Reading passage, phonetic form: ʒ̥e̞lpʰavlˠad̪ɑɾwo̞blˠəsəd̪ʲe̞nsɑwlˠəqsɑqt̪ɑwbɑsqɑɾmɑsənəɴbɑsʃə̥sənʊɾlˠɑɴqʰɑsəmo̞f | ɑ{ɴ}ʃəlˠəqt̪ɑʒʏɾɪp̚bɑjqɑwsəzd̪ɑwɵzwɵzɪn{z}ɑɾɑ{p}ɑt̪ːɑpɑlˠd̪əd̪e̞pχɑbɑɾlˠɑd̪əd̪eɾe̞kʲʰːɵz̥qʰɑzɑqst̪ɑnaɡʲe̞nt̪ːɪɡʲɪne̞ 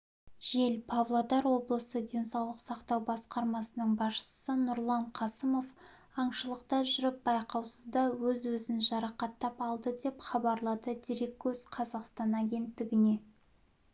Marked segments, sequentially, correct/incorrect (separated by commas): correct, incorrect, incorrect